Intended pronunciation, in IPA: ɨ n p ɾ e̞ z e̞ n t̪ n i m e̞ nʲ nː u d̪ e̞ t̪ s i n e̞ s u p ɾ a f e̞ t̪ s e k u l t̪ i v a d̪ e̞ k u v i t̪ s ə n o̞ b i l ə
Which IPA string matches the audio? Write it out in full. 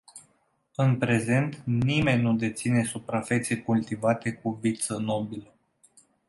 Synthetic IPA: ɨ n p ɾ e̞ z e̞ n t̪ n i m e̞ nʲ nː u d̪ e̞ t̪ s i n e̞ s u p ɾ a f e̞ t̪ s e k u l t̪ i v a t̪ e̞ k u v i t̪ s ə n o̞ b i l ə

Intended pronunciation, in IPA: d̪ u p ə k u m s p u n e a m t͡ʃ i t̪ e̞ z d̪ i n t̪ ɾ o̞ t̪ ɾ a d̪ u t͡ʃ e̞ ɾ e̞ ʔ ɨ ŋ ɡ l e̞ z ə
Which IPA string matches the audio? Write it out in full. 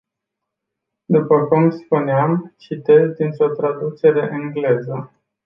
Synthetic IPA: d̪ u p ə k u m s p u n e a m t͡ʃ i t̪ e̞ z d̪ i n t̪ ɾ o̞ t̪ ɾ a d̪ u t͡ʃ e̞ ɾ e̞ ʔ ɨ ŋ ɡ l e̞ z ə

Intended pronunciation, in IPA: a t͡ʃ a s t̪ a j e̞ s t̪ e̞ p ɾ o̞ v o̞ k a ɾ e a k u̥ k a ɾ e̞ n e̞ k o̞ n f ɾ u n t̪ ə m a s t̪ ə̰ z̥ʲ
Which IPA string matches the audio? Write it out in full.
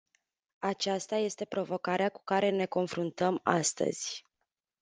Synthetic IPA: a t͡ʃ a s t̪ a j e̞ s t̪ e̞ p ɾ o̞ v o̞ k a ɾ e a k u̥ k a ɾ e̞ n e̞ k o̞ n f ɾ u n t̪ ə m a s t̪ ə̰ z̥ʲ

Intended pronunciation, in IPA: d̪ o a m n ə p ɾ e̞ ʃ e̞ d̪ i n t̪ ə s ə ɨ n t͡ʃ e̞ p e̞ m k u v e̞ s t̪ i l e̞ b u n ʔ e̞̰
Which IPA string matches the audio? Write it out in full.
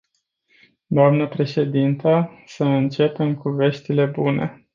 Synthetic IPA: d̪ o a m n ə p ɾ e̞ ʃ e̞ d̪ i n t̪ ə s ə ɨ n t͡ʃ e̞ p e̞ m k u v e̞ ʃ t̪ i l e̞ b u n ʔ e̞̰

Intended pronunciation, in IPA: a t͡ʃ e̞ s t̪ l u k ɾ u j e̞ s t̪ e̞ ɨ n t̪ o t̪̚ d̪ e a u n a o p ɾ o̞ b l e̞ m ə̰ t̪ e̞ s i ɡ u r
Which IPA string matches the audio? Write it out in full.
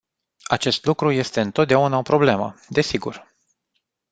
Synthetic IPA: a t͡ʃ e̞ s t̪ l u k ɾ u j e̞ s t̪ e̞ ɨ n t̪ o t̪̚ d̪ e a u n a o p ɾ o̞ b l e̞ m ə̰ d̪ e̞ s i ɡ u r

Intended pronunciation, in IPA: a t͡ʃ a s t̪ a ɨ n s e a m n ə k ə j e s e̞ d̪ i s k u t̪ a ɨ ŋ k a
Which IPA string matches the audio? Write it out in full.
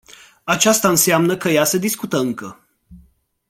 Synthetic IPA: a t͡ʃ a s t̪ a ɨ n s e a m n ə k ə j a s e̞ d̪ i s k u t̪ ə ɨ ŋ k ə

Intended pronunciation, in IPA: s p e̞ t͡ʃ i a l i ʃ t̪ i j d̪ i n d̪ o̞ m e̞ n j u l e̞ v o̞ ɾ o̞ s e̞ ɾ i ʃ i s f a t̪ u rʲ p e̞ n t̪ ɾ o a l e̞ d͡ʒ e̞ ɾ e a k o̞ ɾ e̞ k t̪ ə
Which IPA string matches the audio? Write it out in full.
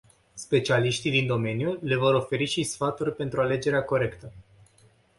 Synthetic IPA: s p e̞ t͡ʃ i a l i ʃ t̪ i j d̪ i n d̪ o̞ m e̞ n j u l e̞ v o̞ ɾ o̞ f e̞ ɾ i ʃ i s f a t̪ u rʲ p e̞ n t̪ ɾ u a l e̞ d͡ʒ e̞ ɾ e a k o̞ ɾ e̞ k t̪ ə

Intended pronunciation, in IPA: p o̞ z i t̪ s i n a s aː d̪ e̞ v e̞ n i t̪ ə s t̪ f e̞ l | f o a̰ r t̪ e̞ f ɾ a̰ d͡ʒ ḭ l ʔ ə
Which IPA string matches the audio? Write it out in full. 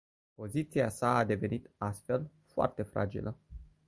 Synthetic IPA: p o̞ z i t̪ s i a s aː d̪ e̞ v e̞ n i t̪ a s t̪ f e̞ l | f o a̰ r t̪ e̞ f ɾ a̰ d͡ʒ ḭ l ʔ ə

